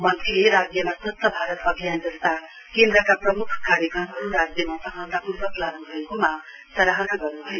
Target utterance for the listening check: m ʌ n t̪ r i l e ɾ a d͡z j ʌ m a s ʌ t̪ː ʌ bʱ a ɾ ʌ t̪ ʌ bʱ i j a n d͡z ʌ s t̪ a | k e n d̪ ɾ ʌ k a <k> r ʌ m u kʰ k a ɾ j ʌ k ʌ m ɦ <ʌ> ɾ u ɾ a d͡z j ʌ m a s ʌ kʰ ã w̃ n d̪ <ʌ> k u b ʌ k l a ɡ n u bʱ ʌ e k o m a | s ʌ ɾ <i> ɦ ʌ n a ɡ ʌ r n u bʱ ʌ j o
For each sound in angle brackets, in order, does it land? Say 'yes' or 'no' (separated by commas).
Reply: no, yes, no, no